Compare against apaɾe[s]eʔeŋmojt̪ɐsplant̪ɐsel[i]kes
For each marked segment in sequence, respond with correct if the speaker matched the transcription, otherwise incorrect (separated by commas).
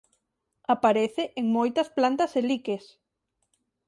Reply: incorrect, correct